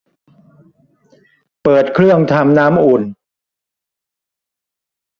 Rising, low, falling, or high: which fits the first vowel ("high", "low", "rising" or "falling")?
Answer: low